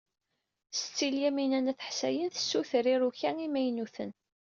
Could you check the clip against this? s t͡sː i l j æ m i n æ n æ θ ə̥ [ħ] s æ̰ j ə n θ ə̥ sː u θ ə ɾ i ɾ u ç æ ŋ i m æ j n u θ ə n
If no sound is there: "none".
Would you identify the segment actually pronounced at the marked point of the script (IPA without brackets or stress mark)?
ħ